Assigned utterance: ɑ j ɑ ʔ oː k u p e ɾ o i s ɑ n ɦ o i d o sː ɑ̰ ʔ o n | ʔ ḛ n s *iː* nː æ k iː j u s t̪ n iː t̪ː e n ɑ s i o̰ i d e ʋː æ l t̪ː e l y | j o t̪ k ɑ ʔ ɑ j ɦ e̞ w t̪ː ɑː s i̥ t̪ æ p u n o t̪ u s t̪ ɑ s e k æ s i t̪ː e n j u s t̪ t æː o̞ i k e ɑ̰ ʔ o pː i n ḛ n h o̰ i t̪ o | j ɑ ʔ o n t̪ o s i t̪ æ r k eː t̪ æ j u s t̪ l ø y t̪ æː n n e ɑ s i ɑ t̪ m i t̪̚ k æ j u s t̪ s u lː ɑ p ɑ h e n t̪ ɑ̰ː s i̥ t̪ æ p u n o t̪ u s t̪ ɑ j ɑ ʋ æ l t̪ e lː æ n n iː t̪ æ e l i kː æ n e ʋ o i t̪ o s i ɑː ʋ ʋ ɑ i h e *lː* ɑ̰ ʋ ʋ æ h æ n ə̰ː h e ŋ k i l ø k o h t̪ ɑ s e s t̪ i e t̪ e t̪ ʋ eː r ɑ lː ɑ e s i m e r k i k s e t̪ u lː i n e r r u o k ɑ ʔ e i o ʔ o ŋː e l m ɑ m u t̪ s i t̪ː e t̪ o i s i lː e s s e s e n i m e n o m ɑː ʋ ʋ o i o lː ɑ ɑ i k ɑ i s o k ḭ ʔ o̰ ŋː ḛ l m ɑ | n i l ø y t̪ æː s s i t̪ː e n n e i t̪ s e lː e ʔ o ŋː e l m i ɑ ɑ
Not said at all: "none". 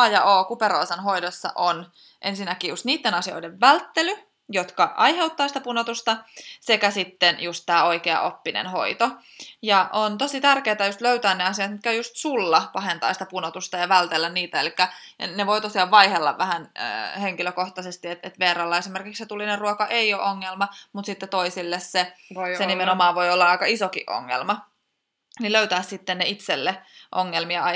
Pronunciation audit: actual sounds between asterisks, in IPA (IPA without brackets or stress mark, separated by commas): i, lː